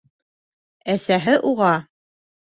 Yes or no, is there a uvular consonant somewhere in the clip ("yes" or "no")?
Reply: yes